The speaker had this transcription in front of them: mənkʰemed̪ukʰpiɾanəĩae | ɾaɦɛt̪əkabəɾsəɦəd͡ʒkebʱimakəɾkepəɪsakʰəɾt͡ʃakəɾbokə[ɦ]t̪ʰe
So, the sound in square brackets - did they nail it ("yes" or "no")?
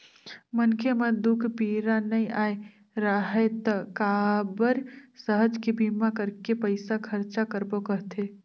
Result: yes